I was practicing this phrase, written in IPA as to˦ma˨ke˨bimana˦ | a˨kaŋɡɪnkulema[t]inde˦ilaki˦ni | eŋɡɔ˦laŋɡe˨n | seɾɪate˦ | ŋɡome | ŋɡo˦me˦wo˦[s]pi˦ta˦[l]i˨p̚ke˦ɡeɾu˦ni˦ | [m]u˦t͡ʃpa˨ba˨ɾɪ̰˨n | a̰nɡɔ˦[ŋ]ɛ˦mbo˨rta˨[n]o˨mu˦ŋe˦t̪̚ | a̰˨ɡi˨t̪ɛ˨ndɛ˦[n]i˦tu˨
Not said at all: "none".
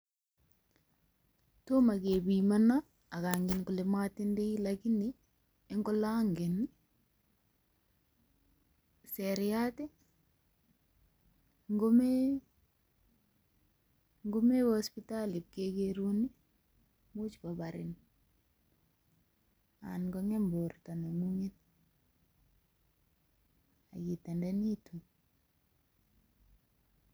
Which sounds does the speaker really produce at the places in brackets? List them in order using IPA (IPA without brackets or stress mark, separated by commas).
t, s, l, m, ŋ, n, n